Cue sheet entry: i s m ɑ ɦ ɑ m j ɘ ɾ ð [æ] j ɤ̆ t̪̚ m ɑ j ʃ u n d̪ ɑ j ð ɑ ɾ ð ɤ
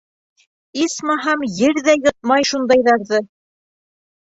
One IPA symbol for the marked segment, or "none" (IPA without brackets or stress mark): æ